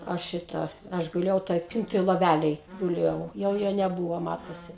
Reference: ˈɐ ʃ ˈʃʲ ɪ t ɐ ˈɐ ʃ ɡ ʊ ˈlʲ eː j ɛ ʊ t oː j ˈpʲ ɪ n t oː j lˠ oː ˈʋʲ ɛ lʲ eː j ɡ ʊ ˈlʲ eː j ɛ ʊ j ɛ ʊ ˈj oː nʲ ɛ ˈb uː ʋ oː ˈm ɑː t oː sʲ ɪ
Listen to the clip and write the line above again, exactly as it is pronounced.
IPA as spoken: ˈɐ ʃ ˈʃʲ ɪ t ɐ ˈɐ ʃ ɡ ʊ ˈlʲ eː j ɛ ʊ t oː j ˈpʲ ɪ n t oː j lˠ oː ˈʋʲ æ lʲ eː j ɡ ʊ ˈlʲ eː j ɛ ʊ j ɛ ʊ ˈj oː nʲ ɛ ˈb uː ʋ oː ˈm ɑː t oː sʲ ɪ